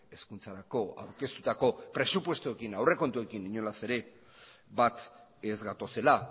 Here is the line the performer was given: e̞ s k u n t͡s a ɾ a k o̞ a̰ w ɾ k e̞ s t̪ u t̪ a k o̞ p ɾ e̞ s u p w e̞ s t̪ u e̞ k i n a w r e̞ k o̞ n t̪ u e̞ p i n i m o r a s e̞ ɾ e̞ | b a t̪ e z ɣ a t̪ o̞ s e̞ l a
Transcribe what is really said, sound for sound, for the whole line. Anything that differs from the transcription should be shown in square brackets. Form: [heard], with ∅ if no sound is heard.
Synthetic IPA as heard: e̞ s k u n t͡s a ɾ a k o̞ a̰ w ɾ k e̞ s t̪ u t̪ a k o̞ p ɾ e̞ s u p w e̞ s t̪ u e̞ k i n a w r e̞ k o̞ n t̪ u e̞ [k] i n i [ɲ] o [l] a s e̞ ɾ e̞ | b a t̪ e z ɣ a t̪ o̞ s e̞ l a